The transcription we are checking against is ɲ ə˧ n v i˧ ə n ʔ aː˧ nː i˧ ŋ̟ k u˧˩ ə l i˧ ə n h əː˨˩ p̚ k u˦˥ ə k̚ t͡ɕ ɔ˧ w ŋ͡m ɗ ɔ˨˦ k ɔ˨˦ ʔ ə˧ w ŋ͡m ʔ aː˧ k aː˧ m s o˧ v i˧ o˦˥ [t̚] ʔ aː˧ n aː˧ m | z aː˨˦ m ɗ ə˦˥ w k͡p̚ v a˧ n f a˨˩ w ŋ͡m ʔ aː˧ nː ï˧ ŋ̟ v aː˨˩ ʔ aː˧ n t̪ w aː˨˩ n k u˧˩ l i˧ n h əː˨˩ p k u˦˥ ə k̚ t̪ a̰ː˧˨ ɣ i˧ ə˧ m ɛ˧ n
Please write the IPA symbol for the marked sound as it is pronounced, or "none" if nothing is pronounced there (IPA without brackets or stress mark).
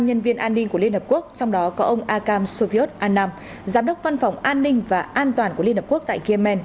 t̚